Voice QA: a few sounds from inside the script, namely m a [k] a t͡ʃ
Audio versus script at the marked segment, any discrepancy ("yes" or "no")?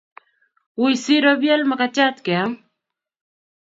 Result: no